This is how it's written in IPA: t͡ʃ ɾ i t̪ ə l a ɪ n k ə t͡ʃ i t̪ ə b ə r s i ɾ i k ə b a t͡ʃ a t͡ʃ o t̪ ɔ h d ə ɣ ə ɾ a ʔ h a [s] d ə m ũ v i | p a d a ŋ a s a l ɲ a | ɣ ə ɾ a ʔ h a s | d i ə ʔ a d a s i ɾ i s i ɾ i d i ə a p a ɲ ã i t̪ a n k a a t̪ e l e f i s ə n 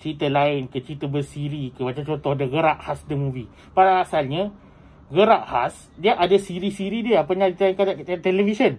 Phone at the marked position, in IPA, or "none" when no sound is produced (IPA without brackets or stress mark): s